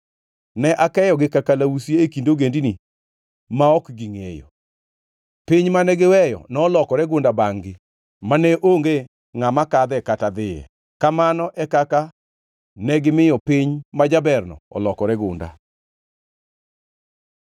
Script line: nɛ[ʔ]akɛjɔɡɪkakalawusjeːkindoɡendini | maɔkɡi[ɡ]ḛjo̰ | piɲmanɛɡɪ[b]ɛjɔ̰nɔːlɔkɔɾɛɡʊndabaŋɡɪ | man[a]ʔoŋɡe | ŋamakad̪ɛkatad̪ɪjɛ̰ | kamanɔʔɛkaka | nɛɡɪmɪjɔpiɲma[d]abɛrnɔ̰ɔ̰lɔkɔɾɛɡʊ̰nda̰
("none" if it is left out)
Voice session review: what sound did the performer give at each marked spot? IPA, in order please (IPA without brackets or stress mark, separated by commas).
ʔ, ŋ, w, ɛ, d͡ʒ